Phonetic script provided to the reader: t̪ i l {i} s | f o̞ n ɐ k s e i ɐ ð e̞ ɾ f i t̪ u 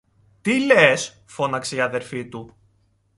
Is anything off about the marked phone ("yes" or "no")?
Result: yes